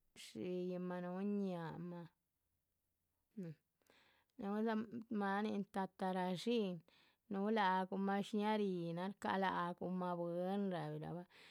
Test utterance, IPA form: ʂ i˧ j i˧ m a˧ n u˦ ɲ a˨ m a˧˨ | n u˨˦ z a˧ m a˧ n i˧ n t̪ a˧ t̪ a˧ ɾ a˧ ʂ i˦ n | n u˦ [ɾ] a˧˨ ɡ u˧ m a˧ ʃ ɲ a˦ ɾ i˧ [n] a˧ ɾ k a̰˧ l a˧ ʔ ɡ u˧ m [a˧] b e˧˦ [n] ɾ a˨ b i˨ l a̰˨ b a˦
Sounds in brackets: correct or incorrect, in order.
incorrect: l, correct, correct, correct

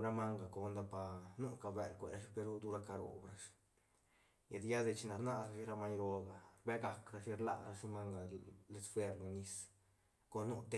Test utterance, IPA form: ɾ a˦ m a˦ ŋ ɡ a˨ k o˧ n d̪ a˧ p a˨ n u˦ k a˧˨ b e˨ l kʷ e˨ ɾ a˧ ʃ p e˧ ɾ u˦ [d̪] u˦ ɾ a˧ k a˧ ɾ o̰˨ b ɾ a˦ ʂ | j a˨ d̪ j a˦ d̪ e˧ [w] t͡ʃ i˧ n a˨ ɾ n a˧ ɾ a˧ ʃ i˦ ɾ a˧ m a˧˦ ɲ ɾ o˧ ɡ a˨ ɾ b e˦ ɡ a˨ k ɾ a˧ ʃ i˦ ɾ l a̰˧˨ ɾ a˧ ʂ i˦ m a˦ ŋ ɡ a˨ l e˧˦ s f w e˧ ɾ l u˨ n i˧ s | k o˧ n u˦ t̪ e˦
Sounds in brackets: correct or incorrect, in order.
correct, incorrect: none

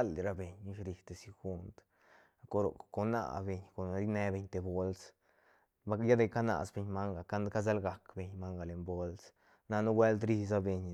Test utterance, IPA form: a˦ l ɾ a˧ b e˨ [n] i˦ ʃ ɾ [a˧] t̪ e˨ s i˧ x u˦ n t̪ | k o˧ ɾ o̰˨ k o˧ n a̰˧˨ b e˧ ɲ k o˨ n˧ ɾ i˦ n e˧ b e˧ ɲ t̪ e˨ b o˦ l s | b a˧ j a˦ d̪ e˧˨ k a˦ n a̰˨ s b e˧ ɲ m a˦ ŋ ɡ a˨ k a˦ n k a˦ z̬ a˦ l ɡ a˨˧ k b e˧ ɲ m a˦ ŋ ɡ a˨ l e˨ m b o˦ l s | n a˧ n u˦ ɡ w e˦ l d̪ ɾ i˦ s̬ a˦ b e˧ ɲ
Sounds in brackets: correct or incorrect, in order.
incorrect: ɲ, incorrect: i˧

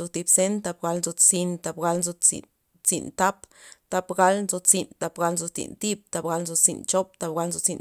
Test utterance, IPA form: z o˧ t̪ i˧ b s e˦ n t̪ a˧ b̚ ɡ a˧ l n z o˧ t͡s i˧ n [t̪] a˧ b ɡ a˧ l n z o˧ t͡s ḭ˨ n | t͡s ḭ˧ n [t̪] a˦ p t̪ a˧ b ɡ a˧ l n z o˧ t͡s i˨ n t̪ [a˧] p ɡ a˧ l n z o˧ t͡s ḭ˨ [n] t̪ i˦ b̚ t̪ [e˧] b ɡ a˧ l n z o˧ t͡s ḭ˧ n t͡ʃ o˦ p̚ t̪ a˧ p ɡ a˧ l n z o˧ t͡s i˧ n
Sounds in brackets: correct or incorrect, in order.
correct, correct, correct, correct, incorrect: a˧

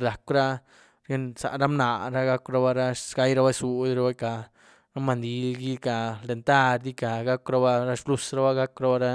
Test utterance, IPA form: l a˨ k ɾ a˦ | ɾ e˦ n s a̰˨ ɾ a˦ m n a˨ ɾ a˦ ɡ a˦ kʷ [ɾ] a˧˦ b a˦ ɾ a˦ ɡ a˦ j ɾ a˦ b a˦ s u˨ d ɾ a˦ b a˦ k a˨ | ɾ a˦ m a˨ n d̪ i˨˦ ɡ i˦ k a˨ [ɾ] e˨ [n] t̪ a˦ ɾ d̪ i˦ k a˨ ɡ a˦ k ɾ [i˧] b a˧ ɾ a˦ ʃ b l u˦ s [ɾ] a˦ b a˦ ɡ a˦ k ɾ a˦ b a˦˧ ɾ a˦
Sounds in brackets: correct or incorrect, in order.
correct, incorrect: l, correct, incorrect: a˧, correct

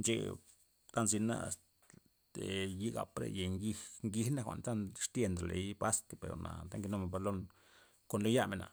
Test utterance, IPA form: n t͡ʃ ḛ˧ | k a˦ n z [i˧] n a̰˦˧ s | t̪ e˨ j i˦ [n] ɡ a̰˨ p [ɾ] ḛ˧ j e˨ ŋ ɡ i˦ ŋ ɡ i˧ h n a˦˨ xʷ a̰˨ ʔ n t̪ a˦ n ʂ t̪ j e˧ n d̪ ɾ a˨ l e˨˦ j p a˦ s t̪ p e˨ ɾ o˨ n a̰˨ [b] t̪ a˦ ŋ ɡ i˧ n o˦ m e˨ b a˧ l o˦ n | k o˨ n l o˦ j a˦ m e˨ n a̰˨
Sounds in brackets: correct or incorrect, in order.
correct, incorrect: none, correct, incorrect: none

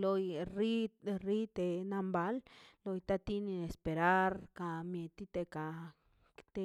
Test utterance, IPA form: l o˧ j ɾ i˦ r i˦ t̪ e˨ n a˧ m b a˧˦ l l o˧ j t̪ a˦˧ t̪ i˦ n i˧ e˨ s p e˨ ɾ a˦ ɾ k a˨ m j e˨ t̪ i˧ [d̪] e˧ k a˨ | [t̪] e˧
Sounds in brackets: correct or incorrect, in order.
incorrect: t̪, correct

